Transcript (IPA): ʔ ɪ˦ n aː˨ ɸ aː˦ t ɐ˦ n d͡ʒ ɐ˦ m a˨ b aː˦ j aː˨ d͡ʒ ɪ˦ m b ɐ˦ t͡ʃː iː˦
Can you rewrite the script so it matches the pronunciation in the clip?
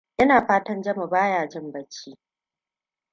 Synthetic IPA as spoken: ʔ ɪ˦ n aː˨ ɸ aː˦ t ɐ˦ n d͡ʒ ɐ˦ m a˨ b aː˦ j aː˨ d͡ʒ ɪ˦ m b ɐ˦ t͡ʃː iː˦